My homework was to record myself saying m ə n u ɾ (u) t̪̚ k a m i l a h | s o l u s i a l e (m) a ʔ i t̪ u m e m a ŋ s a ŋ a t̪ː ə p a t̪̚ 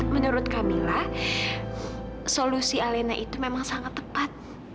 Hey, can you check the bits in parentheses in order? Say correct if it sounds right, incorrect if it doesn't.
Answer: incorrect, incorrect

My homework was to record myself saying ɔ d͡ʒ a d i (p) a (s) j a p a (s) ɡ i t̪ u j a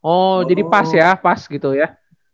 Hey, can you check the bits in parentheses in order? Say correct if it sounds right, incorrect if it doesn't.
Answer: correct, correct, correct

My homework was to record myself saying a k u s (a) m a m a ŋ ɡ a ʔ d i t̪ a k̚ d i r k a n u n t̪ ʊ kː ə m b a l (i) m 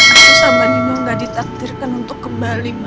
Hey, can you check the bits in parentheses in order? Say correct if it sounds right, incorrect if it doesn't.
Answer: correct, correct

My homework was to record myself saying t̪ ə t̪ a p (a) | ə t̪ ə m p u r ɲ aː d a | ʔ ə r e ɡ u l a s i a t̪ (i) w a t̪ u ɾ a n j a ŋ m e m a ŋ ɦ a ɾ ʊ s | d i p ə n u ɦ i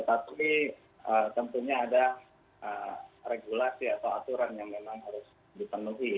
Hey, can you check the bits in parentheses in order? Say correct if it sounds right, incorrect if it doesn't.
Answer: incorrect, incorrect

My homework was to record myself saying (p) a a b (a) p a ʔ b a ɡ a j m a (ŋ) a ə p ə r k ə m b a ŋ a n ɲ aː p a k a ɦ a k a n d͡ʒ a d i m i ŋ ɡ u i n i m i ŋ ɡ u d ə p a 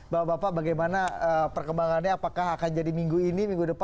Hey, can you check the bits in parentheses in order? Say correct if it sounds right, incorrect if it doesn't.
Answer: incorrect, correct, incorrect

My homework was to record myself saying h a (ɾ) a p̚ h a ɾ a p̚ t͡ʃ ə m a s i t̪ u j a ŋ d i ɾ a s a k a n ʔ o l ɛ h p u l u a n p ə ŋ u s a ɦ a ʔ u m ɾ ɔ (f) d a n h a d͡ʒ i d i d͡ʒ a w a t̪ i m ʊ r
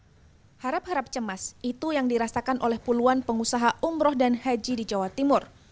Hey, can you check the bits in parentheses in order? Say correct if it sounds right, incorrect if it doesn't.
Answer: correct, incorrect

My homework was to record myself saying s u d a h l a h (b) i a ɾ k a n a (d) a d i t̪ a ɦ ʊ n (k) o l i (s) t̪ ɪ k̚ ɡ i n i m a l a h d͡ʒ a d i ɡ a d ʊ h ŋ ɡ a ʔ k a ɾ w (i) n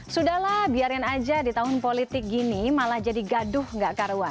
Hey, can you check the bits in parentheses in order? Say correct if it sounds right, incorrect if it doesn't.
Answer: correct, incorrect, incorrect, incorrect, incorrect

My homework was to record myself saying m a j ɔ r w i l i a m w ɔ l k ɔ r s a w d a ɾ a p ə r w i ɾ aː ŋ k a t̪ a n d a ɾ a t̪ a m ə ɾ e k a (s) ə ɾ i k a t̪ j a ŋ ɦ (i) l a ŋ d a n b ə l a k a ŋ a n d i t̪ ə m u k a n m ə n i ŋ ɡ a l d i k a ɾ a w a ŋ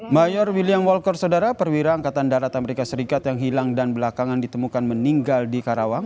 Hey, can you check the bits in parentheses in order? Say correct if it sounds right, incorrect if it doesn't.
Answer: correct, correct

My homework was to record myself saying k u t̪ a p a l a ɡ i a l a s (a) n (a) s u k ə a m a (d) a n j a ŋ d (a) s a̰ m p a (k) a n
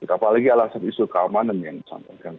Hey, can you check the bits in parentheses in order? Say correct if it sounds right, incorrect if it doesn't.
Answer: correct, incorrect, incorrect, incorrect, correct

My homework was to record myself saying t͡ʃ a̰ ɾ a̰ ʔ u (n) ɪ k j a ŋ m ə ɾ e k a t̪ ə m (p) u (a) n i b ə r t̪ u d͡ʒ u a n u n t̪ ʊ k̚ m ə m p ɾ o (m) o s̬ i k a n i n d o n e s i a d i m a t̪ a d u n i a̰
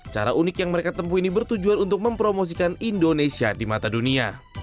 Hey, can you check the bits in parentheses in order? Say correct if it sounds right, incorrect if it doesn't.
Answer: correct, correct, incorrect, correct

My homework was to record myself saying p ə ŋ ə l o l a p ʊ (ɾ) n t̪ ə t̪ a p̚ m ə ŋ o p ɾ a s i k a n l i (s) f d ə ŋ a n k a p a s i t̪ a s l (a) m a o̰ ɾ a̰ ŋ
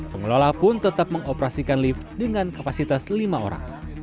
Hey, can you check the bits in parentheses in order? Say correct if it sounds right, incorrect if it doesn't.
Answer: incorrect, incorrect, incorrect

